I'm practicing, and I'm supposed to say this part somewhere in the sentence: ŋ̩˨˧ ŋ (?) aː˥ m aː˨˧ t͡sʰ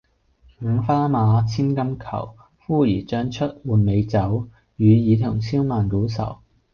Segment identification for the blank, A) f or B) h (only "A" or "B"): A